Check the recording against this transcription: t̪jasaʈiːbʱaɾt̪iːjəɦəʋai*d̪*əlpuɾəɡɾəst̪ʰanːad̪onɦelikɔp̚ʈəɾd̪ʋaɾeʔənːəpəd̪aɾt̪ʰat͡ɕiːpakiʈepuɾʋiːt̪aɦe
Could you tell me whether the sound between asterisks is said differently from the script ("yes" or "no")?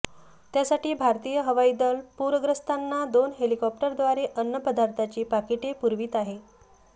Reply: no